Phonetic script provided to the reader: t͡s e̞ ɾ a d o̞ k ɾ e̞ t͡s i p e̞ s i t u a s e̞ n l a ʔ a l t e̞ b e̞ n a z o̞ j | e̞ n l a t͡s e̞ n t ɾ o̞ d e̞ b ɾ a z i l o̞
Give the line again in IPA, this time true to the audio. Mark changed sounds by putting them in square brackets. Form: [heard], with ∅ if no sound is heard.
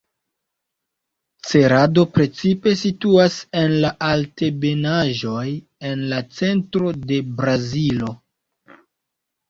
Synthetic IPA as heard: t͡s e̞ ɾ a d o̞ [p] ɾ e̞ t͡s i p e̞ s i t u a s e̞ n l a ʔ a l t e̞ b e̞ n a [ʒ] o̞ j | e̞ n l a t͡s e̞ n t ɾ o̞ d e̞ b ɾ a z i l o̞